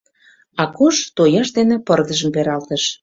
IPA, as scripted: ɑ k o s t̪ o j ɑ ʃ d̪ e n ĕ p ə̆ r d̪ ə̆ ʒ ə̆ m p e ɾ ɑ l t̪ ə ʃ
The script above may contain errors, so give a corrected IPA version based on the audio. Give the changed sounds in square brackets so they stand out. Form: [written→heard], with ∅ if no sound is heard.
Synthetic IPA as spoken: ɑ k o [s→ʃ] t̪ o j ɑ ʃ d̪ e n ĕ p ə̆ r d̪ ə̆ ʒ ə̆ m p e ɾ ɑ l t̪ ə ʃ